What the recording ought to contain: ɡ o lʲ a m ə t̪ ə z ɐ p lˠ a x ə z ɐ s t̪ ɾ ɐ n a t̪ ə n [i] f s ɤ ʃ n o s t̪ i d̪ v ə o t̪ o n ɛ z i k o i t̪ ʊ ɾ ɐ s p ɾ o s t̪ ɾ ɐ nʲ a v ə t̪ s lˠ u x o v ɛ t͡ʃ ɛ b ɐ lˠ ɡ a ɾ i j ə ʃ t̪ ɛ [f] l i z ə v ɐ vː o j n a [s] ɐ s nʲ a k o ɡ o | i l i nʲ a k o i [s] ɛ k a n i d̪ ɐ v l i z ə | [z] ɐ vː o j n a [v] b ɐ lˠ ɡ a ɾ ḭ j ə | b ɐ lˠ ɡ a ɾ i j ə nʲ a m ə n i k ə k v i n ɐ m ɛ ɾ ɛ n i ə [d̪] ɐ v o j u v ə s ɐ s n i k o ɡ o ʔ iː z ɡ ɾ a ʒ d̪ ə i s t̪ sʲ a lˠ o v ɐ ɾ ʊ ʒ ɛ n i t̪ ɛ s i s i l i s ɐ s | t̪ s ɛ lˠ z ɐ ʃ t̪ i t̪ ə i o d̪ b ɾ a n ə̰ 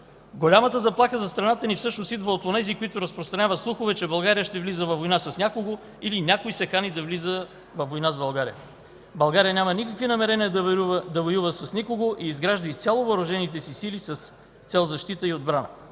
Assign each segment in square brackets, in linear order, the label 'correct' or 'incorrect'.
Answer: correct, incorrect, correct, correct, incorrect, incorrect, correct

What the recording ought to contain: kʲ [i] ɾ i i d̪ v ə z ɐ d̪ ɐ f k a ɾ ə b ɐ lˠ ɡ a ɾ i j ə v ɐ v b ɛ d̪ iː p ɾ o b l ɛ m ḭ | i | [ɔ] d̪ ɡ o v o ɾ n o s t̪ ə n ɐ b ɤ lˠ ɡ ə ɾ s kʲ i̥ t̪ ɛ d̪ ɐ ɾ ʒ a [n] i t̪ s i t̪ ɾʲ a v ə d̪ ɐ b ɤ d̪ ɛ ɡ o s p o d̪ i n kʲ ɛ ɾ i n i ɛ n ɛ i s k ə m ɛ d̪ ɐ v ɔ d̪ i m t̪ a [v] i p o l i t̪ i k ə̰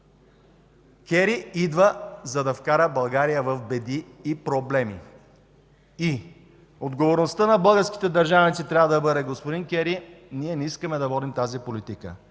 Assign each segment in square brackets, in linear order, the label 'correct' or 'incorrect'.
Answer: incorrect, incorrect, correct, incorrect

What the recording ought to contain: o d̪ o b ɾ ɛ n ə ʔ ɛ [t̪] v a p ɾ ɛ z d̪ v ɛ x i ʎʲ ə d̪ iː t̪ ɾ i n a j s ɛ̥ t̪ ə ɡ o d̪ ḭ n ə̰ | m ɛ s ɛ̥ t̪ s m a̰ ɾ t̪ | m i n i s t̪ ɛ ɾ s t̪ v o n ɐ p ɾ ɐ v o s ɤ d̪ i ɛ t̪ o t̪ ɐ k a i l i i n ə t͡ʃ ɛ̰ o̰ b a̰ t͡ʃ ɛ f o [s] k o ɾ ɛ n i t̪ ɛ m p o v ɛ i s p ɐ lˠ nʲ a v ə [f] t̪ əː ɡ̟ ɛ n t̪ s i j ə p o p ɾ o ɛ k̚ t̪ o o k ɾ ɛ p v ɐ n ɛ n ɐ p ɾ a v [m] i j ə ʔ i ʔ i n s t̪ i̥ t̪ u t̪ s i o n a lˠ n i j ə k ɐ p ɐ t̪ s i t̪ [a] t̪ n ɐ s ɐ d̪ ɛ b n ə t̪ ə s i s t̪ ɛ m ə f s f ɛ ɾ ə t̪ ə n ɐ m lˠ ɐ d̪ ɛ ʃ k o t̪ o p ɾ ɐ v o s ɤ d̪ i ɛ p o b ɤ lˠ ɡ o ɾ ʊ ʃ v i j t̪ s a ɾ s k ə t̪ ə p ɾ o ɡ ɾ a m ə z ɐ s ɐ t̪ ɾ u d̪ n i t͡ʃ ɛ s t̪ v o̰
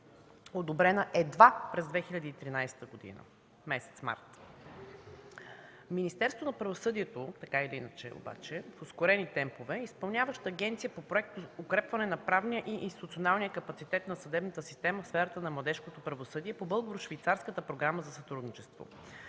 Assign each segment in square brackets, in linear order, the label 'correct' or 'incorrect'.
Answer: incorrect, correct, incorrect, incorrect, incorrect

